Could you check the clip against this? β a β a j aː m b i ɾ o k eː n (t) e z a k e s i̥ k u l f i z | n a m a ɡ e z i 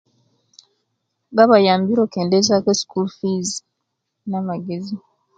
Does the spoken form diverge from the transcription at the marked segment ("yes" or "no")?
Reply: yes